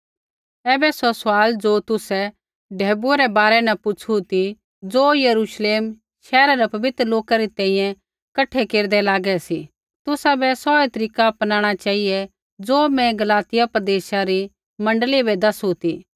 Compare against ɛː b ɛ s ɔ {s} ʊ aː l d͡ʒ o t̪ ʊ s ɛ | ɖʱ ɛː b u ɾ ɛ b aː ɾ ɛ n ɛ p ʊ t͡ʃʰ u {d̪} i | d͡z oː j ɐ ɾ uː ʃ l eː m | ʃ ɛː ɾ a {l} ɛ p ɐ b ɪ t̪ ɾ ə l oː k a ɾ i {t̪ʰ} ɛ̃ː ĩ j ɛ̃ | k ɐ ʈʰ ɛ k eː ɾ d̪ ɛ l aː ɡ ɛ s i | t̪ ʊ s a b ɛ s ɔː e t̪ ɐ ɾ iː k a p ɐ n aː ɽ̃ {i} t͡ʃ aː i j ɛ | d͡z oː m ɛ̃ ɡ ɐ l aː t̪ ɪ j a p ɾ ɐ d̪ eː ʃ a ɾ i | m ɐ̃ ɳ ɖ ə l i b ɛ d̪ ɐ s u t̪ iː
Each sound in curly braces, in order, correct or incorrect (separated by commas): correct, incorrect, incorrect, incorrect, incorrect